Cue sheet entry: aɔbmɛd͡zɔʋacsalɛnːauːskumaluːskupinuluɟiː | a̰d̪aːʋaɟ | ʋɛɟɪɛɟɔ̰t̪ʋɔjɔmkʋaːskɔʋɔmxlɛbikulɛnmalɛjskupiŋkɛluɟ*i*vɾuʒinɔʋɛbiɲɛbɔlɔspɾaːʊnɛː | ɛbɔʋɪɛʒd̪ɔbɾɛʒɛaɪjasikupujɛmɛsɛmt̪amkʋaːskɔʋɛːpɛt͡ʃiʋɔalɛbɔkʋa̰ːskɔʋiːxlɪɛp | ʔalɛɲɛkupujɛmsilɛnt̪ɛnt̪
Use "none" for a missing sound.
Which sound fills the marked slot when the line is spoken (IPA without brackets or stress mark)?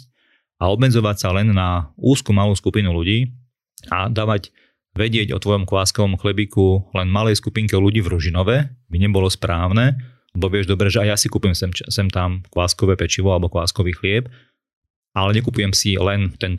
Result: iː